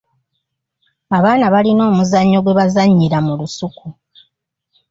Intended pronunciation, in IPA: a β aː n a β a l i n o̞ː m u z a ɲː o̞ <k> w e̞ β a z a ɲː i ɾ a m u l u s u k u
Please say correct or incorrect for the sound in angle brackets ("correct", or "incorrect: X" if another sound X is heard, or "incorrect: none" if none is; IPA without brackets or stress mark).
incorrect: ɡ